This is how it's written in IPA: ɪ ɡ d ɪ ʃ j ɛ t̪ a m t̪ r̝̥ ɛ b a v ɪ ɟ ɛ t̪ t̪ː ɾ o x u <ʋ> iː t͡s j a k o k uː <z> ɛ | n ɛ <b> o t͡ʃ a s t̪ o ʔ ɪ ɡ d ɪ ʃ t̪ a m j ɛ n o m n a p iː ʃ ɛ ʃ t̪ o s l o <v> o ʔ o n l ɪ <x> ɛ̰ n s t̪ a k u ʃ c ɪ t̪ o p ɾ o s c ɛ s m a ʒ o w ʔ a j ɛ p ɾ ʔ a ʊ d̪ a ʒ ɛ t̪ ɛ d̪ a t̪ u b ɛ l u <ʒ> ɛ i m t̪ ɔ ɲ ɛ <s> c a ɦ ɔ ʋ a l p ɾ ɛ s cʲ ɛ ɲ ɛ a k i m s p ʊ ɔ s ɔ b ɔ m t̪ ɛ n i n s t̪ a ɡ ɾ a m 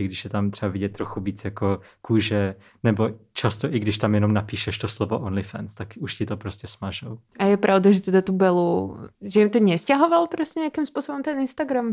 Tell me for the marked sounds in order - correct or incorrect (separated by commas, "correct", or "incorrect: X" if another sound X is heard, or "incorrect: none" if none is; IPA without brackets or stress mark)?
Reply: incorrect: v, incorrect: ʒ, correct, correct, incorrect: f, correct, correct